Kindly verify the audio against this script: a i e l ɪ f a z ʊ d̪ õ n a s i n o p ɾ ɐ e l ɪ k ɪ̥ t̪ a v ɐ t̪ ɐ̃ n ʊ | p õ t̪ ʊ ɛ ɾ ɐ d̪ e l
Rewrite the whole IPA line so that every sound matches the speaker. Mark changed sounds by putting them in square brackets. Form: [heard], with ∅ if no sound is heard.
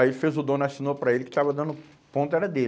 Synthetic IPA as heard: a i e l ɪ f [e] z ʊ d̪ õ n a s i n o p ɾ ɐ e l ɪ k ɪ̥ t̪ a v ɐ [d̪] ɐ̃ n ʊ | p õ t̪ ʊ ɛ ɾ ɐ d̪ e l

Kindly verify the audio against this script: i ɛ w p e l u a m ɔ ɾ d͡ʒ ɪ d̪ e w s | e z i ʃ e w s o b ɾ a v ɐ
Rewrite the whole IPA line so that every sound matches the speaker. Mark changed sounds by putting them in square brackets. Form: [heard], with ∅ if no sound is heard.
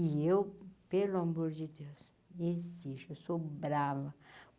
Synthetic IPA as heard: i [e] w p e l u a m [o] ɾ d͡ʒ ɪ d̪ e w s | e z i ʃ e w s o b ɾ a v ɐ

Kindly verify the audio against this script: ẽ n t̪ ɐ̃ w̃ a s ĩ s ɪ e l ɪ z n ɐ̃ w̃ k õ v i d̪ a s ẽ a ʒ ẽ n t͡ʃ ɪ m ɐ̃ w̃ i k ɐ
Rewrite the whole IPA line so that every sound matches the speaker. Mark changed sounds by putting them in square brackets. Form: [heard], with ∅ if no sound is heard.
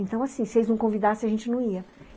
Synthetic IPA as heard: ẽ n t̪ ɐ̃ w̃ a s ĩ s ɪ e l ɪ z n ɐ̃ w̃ k õ v i d̪ a s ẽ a ʒ ẽ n t͡ʃ ɪ [n] ɐ̃ w̃ i [∅] ɐ

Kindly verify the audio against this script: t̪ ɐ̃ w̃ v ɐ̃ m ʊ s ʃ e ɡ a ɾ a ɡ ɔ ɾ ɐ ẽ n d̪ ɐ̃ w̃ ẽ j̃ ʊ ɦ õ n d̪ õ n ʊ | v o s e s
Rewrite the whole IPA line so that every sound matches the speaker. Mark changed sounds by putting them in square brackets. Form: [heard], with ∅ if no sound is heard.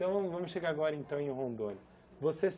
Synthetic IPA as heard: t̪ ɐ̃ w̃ v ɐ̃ m ʊ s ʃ e ɡ a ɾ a ɡ ɔ ɾ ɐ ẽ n [t̪] ɐ̃ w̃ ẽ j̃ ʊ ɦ õ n d̪ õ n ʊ | v o s e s

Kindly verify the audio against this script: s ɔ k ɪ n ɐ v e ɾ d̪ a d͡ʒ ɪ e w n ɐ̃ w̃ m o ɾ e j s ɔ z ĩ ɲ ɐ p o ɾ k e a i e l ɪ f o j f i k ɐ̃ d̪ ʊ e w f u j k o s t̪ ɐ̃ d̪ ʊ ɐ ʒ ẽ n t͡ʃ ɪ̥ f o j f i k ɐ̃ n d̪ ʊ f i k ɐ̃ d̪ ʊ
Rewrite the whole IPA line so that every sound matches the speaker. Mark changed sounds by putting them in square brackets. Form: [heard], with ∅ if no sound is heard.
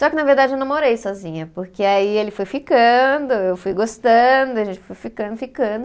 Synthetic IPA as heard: s ɔ k ɪ n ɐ v e ɾ d̪ a d͡ʒ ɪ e w n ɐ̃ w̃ m o ɾ e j s ɔ z ĩ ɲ ɐ p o ɾ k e a i e l ɪ f o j f i k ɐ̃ d̪ ʊ e w f u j [ɡ] o s t̪ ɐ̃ d̪ ʊ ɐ ʒ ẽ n t͡ʃ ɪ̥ f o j f i k ɐ̃ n d̪ ʊ f i k ɐ̃ d̪ ʊ

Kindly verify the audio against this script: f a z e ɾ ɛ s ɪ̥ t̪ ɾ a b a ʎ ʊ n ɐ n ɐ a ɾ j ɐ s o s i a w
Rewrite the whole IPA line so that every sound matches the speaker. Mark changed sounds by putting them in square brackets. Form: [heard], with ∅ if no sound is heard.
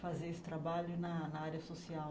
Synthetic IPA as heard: f a z e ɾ [e] s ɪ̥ t̪ ɾ a b a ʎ ʊ n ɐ n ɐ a ɾ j ɐ s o s i a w

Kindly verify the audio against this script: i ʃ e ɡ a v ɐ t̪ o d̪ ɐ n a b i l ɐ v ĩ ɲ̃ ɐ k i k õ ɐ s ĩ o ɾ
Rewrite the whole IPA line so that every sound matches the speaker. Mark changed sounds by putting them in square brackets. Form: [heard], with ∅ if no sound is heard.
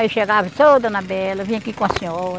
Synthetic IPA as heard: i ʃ e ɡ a v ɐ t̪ o d̪ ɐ n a b [ɛ] l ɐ v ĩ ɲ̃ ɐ k i k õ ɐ s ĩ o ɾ

